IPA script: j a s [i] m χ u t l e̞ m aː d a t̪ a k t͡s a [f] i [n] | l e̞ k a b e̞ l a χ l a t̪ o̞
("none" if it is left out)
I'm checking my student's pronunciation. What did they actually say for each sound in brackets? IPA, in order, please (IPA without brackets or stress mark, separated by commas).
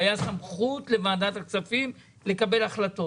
a, f, m